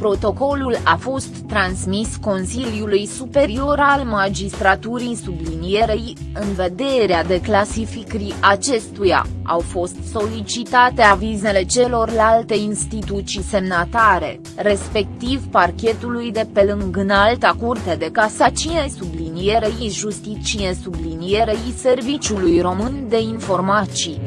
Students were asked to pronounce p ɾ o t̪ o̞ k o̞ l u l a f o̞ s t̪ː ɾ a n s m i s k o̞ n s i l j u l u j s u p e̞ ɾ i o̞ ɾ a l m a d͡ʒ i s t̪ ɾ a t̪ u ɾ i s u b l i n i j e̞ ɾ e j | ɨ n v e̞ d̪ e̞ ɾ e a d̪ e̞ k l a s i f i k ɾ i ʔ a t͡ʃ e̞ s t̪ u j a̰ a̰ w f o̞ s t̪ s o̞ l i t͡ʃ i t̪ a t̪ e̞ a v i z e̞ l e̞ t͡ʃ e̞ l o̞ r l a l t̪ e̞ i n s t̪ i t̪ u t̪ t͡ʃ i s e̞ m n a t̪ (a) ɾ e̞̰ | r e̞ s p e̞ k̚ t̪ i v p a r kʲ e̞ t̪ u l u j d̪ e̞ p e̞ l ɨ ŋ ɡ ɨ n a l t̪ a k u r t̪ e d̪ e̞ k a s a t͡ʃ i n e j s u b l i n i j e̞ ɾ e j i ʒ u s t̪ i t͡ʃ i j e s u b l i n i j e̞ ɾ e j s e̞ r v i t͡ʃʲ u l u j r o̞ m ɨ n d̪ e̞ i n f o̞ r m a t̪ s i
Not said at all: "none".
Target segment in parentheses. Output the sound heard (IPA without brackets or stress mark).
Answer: a